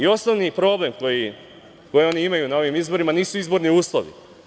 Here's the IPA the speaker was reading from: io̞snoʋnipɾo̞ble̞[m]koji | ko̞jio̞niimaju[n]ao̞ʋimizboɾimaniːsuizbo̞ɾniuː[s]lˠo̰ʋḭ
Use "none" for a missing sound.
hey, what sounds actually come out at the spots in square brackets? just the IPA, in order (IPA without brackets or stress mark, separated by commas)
m, n, s